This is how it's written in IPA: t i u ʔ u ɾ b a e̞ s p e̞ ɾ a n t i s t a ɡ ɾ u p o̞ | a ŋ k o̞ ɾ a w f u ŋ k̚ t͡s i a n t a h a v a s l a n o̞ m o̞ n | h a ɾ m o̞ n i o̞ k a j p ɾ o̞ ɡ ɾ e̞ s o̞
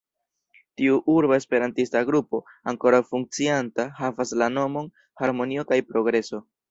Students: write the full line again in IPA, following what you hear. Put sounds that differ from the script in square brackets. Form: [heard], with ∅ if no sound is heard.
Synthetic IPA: t i u ʔ u ɾ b a e̞ s p e̞ ɾ a n t i s t a ɡ ɾ u p o̞ | a ŋ k o̞ ɾ a w f u ŋ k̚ t͡s i a n t a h a v a s l a n o̞ m o̞ n | h a ɾ m o̞ n i o̞ k a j p ɾ o̞ ɡ ɾ e̞ s o̞